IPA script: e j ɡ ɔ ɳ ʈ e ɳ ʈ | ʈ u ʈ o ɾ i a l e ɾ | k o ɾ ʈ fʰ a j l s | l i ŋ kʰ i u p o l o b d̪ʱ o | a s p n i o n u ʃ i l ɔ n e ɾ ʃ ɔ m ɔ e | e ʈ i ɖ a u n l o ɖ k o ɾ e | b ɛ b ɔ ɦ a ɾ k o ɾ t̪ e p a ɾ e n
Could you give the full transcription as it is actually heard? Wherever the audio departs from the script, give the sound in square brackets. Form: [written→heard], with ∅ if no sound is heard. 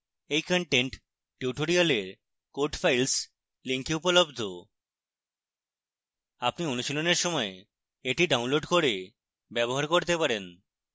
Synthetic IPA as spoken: e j [ɡ→k] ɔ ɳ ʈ e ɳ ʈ | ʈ u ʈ o ɾ i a l e ɾ | k o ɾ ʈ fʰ a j l s | l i ŋ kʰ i u p o l o b d̪ʱ o | a [s→∅] p n i o n u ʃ i l [ɔ→o] n e ɾ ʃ ɔ m ɔ e | e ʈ i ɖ a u n l o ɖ k o ɾ e | b ɛ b [ɔ→o] ɦ a ɾ k o ɾ t̪ e p a ɾ e n